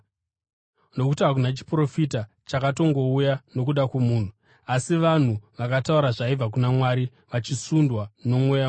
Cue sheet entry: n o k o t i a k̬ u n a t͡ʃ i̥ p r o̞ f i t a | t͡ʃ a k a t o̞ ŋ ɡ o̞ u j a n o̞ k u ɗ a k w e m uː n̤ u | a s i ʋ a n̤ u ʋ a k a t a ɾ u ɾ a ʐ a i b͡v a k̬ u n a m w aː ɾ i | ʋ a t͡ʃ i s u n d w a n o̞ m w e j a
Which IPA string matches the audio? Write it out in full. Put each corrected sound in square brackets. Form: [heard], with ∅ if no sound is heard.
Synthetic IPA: n o k [u] t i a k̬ u n a t͡ʃ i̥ p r o̞ f i t a | t͡ʃ a k a t o̞ ŋ ɡ o̞ u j a n o̞ k u ɗ a k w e m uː n̤ u | a s i ʋ a n̤ u ʋ a k a t a [∅] u ɾ a ʐ a i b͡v a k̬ u n a m w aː ɾ i | ʋ a t͡ʃ i s u n d w a n o̞ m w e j a